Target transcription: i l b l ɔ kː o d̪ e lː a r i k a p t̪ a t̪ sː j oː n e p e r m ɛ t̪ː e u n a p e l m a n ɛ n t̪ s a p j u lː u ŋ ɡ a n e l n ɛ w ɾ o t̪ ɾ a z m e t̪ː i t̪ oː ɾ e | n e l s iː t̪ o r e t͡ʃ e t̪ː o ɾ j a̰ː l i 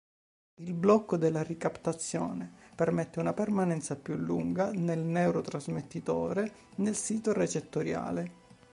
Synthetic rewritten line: i l b l ɔ kː o d̪ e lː a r i k a p t̪ a t̪ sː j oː n e p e r m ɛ t̪ː e u n a p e r m a n ɛ n t̪ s a p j u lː u ŋ ɡ a n e l n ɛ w ɾ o t̪ ɾ a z m e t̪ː i t̪ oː ɾ e | n e l s iː t̪ o r e t͡ʃ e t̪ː o ɾ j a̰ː l e

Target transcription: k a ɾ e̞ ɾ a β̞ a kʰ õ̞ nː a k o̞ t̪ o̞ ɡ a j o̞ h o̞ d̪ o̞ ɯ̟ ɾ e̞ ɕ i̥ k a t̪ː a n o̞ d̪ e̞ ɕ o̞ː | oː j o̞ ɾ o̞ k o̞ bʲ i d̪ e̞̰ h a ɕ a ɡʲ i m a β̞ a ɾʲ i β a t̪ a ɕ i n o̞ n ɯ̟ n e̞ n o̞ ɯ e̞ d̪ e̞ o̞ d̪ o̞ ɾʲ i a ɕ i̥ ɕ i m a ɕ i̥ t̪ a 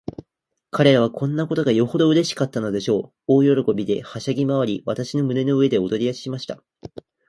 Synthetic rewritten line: k a ɾ e̞ ɾ a β̞ a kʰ õ̞ nː a k o̞ t̪ o̞ ɡ a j o̞ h o̞ d̪ o̞ ɯ̟ ɾ e̞ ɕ i̥ k a t̪ː a n o̞ d̪ e̞ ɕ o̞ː | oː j o̞ ɾ o̞ k o̞ bʲ i d̪ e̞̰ h a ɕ a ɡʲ i m a β̞ a ɾʲ i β a t̪ a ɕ i n o̞ m ɯ̟ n e̞ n o̞ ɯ e̞ d̪ e̞ o̞ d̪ o̞ ɾʲ i a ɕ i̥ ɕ i m a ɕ i̥ t̪ a

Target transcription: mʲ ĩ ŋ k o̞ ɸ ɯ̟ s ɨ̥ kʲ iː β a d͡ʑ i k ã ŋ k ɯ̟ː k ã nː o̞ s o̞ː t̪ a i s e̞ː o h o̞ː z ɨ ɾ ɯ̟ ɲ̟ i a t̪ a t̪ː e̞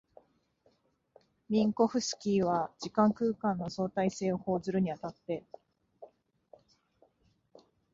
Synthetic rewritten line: mʲ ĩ ŋ k o̞ ɸ ɯ̟ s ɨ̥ kʲ iː β a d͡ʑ i k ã ŋ k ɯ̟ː k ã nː o̞ s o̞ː t̪ a i s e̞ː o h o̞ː z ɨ ɾ ɯ̟ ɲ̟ i a t̪ a t̪ː e̞

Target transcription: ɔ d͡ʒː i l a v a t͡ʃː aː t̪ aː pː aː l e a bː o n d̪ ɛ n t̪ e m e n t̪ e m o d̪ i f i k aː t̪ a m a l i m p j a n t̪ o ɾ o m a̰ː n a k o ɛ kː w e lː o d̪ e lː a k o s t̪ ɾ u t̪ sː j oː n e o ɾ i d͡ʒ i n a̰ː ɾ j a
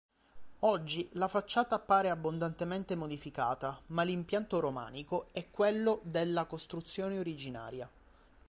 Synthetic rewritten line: ɔ d͡ʒː i l a f a t͡ʃː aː t̪ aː pː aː ɾ e a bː o n d̪ a n t̪ e m e n t̪ e m o d̪ i f i k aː t̪ a m a l i m p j a n t̪ o ɾ o m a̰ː n i k o ɛ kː w e lː o d̪ e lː a k o s t̪ ɾ u t̪ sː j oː n e o ɾ i d͡ʒ i n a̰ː ɾ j a

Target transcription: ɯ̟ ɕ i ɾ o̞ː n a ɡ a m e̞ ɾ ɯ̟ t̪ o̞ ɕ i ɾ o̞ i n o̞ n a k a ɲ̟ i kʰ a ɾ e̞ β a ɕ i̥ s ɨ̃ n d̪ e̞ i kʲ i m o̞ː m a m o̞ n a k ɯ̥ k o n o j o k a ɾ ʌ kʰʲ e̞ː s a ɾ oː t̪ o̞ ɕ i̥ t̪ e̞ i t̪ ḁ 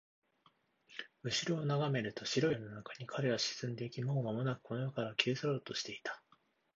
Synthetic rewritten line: ɯ̟ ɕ i ɾ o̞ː n a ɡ a m e̞ ɾ ɯ̟ t̪ o̞ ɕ i ɾ o̞ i n o̞ n a k a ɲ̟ i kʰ a ɾ e̞ β a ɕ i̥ s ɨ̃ n d̪ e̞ i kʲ i m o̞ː m a m o̞ n a k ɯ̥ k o n o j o k a ɾ a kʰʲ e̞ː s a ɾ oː t̪ o̞ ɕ i̥ t̪ e̞ i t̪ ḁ

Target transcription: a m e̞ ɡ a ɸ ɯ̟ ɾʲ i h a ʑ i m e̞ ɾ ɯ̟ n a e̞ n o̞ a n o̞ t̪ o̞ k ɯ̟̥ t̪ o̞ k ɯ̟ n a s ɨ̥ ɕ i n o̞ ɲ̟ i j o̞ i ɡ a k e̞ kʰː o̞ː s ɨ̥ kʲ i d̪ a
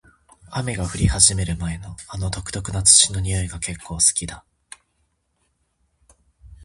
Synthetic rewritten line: a m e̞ ɡ a ɸ ɯ̟ ɾʲ i h a ʑ i m e̞ ɾ ɯ̟ m a e̞ n o̞ a n o̞ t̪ o̞ k ɯ̟̥ t̪ o̞ k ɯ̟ n a t͡s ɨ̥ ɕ i n o̞ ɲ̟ i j o̞ i ɡ a k e̞ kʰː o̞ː s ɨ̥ kʲ i d̪ a

